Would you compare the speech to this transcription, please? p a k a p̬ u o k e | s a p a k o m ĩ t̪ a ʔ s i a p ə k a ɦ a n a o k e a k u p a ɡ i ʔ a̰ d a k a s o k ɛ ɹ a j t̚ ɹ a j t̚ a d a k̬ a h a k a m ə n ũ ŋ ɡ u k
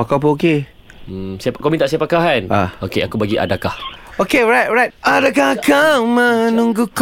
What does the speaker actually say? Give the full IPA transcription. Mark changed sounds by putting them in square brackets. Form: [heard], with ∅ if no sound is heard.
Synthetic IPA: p a k a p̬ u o k e | s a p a k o m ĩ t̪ a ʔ s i a p [a] k a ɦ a n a o k e a k u [b] a ɡ i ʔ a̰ d a k a [h] o k [e] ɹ a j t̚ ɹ a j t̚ a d a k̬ a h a k a m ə n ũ ŋ ɡ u k